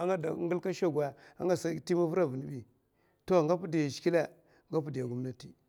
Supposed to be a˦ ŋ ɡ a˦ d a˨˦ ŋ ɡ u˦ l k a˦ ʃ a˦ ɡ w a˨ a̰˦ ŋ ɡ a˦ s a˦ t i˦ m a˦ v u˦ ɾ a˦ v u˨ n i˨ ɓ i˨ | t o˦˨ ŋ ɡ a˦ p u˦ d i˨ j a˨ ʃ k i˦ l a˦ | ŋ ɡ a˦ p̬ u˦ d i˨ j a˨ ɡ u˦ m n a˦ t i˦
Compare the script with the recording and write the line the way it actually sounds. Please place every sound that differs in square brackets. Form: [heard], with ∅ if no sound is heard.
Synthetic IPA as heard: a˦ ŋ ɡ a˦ d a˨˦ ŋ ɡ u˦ l k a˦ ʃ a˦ ɡ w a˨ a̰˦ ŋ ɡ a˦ s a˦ t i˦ m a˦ v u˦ ɾ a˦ v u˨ n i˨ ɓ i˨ | t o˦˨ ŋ ɡ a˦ p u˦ d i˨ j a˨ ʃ k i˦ l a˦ | ŋ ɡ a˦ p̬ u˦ d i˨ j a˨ ɡ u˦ m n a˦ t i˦

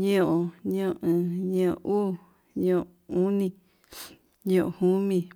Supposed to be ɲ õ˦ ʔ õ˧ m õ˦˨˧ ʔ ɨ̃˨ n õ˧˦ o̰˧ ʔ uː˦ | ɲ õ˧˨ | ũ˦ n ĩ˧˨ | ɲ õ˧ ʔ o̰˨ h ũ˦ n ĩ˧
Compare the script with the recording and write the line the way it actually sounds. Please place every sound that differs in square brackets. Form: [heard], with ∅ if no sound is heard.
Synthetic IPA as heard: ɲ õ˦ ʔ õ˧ [ɲ] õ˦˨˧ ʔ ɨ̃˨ [ɲ] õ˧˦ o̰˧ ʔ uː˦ | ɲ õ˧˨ | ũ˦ n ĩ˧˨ | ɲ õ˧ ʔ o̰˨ h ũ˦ [m] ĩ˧

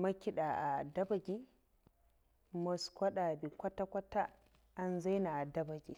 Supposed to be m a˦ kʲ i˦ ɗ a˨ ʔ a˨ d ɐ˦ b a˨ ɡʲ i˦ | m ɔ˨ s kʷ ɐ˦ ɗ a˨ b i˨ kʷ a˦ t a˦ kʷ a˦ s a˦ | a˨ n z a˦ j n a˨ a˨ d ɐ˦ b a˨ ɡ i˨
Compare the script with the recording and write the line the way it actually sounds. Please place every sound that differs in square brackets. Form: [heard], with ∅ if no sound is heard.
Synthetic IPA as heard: m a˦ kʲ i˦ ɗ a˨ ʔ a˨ d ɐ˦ b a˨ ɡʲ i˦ | m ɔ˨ s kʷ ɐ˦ ɗ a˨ b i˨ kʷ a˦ t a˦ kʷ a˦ [t] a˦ | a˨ n z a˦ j n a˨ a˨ d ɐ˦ b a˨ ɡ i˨

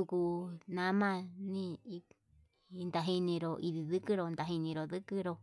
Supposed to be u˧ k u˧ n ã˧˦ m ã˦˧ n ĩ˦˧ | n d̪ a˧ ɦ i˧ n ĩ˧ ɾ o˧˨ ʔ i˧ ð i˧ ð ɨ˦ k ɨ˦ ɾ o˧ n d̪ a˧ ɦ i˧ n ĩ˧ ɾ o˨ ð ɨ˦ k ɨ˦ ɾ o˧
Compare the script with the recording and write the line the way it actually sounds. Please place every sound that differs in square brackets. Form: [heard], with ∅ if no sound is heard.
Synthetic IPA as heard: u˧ k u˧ n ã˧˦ m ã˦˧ n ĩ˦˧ | n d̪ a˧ ɦ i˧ n ĩ˧ ɾ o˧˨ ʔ i˧ ð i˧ ð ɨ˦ k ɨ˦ ɾ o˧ n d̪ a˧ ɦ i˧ n ĩ˧ ɾ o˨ ð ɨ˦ k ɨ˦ ɾ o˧

